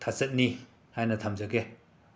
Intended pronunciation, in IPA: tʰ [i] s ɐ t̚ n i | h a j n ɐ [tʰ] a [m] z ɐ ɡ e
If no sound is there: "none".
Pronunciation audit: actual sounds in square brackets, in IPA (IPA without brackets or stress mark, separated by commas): a, tʰ, m